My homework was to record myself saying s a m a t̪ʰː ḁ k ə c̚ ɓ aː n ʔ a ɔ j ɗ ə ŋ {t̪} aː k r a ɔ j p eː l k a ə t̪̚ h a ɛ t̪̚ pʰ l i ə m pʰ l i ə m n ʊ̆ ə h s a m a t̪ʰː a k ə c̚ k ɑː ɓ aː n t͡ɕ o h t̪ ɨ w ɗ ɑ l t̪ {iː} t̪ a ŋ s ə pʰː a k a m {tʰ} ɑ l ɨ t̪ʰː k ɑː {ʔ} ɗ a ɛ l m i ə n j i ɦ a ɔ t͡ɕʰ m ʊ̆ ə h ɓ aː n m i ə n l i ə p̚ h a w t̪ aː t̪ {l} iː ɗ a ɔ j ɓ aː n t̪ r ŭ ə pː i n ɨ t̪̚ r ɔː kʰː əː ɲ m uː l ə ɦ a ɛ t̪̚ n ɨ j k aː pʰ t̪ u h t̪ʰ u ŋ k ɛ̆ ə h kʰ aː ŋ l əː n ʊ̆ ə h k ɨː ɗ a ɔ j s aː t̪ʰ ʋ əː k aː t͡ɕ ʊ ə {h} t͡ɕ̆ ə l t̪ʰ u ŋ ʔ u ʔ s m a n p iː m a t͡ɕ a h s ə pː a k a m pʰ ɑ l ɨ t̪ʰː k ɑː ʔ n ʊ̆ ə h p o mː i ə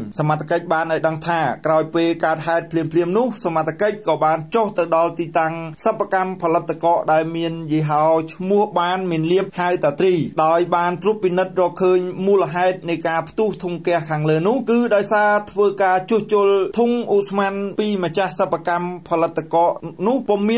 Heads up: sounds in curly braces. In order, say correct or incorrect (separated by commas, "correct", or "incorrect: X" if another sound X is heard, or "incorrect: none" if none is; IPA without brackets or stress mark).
incorrect: t̪ʰ, correct, incorrect: pʰ, correct, incorrect: r, correct